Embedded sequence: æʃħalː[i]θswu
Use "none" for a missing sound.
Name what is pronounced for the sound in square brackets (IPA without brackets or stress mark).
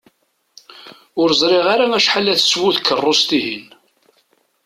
æ